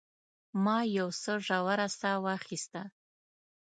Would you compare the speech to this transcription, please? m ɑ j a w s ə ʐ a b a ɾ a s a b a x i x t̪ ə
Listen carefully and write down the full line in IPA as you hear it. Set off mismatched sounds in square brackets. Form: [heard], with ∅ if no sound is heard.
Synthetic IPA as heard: m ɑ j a w s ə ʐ a [w] a ɾ a s a [w] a [χ] i [s] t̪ [a]